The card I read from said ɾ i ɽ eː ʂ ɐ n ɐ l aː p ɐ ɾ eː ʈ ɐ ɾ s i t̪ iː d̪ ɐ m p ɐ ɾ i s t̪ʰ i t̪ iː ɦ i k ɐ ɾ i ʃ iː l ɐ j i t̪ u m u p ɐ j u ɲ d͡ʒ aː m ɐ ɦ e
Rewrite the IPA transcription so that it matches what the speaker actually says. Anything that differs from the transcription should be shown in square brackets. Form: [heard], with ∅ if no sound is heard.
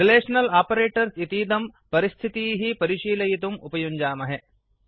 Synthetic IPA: ɾ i [l] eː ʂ ɐ n ɐ l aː p ɐ ɾ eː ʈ ɐ ɾ s i t̪ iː d̪ ɐ m p ɐ ɾ i s t̪ʰ i t̪ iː ɦ i [p] ɐ ɾ i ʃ iː l ɐ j i t̪ u m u p ɐ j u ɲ d͡ʒ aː m ɐ ɦ e